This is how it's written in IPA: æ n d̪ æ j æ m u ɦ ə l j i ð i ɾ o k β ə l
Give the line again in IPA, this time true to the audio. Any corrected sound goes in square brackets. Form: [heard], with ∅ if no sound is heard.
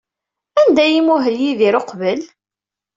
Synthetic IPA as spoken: æ n d̪ æ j [i] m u ɦ ə l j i ð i ɾ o [q] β ə l